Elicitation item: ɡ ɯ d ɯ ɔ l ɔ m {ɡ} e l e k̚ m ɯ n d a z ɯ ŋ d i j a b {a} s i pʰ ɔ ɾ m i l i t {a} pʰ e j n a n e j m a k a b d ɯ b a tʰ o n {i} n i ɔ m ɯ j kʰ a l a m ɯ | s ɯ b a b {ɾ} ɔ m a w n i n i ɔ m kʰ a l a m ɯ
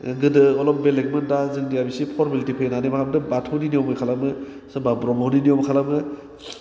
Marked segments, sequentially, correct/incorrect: incorrect, incorrect, incorrect, correct, correct

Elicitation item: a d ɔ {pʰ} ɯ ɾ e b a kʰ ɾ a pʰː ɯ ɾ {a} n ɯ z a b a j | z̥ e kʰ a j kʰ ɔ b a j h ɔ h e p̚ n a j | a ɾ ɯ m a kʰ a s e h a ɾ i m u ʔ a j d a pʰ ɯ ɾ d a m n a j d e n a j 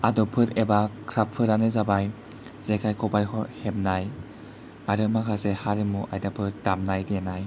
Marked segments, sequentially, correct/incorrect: correct, correct

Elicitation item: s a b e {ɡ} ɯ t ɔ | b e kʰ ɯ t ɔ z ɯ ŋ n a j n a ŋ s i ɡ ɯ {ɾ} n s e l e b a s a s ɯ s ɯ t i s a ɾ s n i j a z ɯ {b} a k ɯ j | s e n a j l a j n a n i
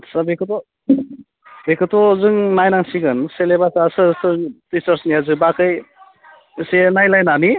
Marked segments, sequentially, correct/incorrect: incorrect, incorrect, correct

